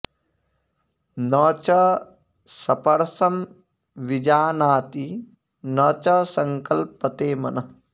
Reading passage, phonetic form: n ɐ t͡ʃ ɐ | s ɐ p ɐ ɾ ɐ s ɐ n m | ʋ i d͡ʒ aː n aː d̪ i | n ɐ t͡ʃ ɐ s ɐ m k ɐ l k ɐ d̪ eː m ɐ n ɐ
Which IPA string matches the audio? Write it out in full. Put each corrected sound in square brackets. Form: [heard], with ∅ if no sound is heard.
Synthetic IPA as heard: n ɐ t͡ʃ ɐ | s ɐ p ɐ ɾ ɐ s ɐ [∅] m | ʋ i d͡ʒ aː n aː [t̪] i | n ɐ t͡ʃ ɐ s ɐ [ŋ] k ɐ l [p] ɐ [t̪] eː m ɐ n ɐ